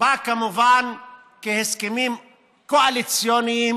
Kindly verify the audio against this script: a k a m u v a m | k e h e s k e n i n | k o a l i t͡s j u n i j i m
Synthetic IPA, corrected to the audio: a k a m u v a n | k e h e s k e m i m | k o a l i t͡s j o n i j i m